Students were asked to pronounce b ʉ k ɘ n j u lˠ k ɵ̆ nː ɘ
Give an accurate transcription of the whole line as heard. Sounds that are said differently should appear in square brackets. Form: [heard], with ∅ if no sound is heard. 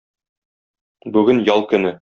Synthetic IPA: b ʉ [ɡ] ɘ n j [ɒ] lˠ k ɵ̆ [n] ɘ